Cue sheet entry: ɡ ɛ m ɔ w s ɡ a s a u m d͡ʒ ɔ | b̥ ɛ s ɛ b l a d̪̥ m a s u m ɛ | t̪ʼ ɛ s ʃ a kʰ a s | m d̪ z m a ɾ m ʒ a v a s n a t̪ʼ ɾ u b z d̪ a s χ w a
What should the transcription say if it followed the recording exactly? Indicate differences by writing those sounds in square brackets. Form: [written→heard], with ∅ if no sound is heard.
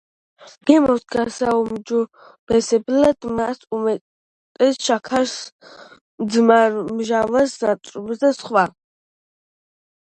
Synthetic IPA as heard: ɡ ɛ m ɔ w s ɡ a s a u m d͡ʒ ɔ | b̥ ɛ s ɛ b l a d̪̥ m a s u m ɛ | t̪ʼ ɛ s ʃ a kʰ a s | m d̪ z m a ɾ m ʒ a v a s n a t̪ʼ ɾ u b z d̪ a s χ w a

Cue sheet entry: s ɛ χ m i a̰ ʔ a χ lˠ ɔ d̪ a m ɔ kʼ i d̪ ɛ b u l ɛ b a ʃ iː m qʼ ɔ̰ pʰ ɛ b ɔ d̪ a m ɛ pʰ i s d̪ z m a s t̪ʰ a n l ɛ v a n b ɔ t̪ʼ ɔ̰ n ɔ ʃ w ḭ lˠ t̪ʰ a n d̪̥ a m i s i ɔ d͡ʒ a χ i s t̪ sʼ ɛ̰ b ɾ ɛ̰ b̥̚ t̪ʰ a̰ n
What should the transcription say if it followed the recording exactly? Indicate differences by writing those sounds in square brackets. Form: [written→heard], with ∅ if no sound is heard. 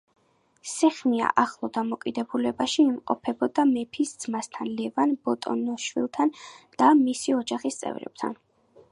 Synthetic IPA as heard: s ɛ χ m i a̰ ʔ a χ lˠ ɔ d̪ a m ɔ kʼ i d̪ ɛ b u l ɛ b a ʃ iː m qʼ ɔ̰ pʰ ɛ b ɔ d̪ a m ɛ pʰ i s d̪ z m a s t̪ʰ a n l ɛ v a n b ɔ t̪ʼ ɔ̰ n ɔ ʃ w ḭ lˠ t̪ʰ a n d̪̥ a m i s i ɔ d͡ʒ a χ i s t̪ sʼ ɛ̰ [b→v] ɾ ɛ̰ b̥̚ t̪ʰ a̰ n

